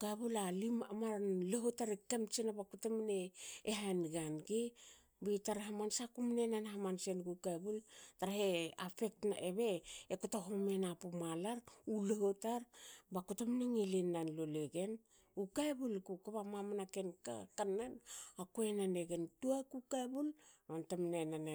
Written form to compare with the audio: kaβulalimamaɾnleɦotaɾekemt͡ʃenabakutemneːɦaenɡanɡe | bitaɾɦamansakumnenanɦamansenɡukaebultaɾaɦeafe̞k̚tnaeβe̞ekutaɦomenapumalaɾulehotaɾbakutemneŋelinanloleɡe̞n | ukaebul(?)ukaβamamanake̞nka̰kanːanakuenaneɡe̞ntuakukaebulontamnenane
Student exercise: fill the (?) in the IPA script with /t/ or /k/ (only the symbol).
k